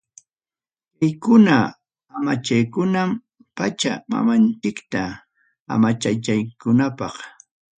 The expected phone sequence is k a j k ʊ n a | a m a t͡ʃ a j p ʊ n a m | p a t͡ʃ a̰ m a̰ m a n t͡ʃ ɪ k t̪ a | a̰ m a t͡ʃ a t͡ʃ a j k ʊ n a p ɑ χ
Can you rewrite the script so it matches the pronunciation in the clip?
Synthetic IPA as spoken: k a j k ʊ n a | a m a t͡ʃ a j k ʊ n a m | p a t͡ʃ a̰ m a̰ m a n t͡ʃ ɪ k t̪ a | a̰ m a t͡ʃ a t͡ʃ a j k ʊ n a p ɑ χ